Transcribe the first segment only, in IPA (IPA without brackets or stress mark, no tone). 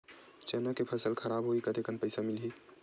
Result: t͡ʃ